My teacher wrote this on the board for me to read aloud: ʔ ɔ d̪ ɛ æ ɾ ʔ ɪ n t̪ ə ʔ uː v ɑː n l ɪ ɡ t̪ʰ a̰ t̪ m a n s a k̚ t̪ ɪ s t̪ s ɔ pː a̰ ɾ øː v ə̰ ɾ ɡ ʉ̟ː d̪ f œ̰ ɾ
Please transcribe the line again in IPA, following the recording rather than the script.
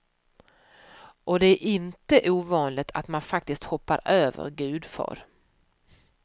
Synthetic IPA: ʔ ɔ d̪ ɛ æ ɾ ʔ ɪ n t̪ ə ʔ uː v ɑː n l ɪ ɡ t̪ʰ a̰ t̪ m a n f a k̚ t̪ ɪ s t̪ h ɔ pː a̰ ɾ øː v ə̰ ɾ ɡ ʉ̟ː d̪ f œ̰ ɾ